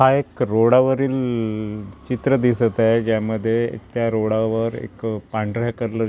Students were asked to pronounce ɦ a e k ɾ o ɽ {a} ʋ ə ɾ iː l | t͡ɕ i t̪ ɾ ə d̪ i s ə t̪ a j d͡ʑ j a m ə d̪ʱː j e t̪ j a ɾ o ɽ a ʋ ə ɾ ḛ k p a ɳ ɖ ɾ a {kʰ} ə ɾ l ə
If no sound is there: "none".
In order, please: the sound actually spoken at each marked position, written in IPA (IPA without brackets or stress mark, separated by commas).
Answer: a, k